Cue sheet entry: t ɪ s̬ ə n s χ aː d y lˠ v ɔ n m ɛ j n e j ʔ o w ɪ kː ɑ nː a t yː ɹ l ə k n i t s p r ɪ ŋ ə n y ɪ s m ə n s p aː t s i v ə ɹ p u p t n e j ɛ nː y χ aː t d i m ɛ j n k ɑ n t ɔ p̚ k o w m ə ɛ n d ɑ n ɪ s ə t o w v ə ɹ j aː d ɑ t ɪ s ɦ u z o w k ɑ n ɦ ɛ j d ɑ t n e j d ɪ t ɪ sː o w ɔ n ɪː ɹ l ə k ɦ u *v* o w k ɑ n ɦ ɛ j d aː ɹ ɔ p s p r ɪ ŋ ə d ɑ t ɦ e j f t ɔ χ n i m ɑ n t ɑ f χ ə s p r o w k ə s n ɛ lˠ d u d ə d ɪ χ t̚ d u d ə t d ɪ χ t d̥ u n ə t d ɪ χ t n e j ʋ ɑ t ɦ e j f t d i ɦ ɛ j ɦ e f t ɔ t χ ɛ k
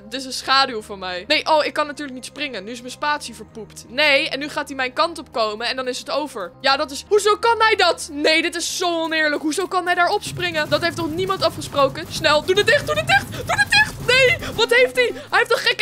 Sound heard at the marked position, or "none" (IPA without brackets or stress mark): z